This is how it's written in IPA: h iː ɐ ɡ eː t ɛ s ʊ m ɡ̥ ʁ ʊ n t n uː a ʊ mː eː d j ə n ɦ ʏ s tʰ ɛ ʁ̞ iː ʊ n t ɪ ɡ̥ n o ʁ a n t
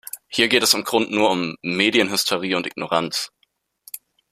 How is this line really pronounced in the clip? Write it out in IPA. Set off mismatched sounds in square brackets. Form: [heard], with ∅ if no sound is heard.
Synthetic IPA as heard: h iː ɐ ɡ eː t ɛ s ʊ m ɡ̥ ʁ ʊ n t n uː [ɐ] ʊ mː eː d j ə n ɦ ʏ s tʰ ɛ ʁ̞ iː ʊ n t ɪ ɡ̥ n o ʁ a n [t͡s]